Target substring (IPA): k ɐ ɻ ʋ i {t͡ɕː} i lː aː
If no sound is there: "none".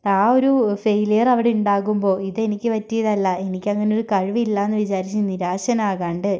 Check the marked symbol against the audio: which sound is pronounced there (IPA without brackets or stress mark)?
none